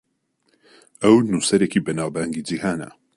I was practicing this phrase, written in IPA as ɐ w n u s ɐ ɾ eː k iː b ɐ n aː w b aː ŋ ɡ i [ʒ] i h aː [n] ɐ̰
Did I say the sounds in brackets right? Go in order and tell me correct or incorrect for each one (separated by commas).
incorrect, correct